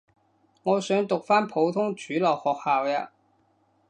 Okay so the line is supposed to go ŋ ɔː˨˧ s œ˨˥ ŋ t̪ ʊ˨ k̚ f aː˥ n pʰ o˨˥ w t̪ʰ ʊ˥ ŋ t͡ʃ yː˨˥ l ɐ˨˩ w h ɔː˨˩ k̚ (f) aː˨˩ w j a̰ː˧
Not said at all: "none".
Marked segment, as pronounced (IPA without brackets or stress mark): h